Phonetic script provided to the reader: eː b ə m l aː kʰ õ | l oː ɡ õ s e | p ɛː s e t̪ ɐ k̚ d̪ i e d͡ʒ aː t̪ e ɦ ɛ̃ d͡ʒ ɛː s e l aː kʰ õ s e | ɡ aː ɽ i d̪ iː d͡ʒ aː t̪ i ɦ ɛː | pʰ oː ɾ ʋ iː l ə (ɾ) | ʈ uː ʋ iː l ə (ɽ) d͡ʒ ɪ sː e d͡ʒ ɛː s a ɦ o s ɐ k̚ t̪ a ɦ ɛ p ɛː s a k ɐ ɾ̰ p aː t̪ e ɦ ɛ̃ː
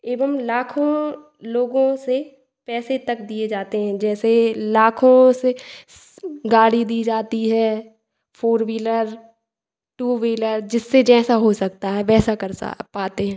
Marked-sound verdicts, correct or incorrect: correct, incorrect: ɾ

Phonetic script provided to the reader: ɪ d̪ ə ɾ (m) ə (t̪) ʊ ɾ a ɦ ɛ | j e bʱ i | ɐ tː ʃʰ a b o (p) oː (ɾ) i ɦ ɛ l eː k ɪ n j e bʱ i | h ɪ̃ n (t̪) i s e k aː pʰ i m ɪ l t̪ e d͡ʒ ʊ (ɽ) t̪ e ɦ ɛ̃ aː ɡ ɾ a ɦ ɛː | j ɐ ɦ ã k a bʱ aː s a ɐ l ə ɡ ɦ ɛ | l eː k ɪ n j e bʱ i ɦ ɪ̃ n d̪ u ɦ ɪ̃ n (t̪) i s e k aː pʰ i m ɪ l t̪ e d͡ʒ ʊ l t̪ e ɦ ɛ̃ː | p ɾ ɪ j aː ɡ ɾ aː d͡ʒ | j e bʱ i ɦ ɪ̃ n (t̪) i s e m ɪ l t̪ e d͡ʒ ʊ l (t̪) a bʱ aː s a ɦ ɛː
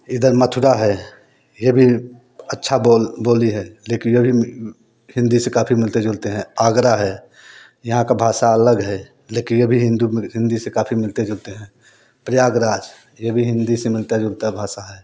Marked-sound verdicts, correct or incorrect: correct, incorrect: t̪ʰ, incorrect: b, incorrect: l, incorrect: d̪, incorrect: l, incorrect: d̪, incorrect: d̪, correct

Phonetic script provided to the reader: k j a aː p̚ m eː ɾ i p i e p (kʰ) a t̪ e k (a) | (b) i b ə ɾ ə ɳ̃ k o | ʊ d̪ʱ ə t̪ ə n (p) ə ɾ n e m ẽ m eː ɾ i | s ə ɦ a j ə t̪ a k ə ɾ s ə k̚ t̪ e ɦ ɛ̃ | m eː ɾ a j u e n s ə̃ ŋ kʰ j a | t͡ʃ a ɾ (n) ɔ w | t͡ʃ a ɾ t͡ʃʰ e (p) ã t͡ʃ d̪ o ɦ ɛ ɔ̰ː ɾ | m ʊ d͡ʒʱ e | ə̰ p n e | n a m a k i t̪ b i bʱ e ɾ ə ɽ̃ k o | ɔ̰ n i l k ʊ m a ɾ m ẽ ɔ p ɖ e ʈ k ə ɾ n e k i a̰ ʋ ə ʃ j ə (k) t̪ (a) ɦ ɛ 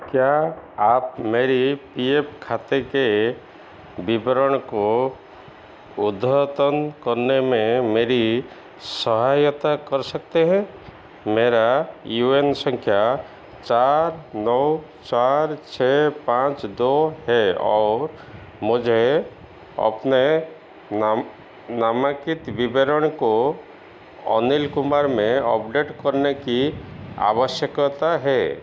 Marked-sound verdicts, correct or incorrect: correct, incorrect: e, correct, incorrect: k, correct, correct, correct, correct

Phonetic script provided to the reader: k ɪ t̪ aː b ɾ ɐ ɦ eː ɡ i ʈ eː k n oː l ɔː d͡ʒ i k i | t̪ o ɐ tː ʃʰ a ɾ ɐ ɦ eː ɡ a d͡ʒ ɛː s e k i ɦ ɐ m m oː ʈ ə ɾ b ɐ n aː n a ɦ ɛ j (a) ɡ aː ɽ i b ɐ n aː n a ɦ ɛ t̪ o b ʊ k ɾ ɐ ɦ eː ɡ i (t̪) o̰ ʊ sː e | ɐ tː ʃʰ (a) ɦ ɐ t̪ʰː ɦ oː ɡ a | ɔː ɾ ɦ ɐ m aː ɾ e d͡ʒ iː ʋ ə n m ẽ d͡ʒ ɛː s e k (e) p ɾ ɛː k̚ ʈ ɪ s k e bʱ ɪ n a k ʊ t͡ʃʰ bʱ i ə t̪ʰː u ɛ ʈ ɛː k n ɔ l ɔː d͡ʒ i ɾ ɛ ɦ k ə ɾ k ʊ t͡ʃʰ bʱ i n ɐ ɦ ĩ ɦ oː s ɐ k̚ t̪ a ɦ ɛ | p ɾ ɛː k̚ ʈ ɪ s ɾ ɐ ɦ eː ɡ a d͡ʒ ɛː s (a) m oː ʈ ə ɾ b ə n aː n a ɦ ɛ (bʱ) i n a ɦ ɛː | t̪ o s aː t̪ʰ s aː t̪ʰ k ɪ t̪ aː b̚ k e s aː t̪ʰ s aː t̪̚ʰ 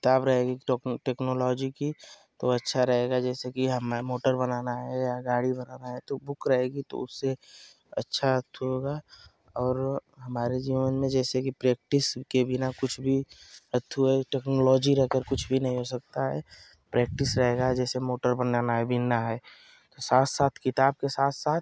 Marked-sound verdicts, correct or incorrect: correct, correct, correct, incorrect: i, incorrect: e, correct

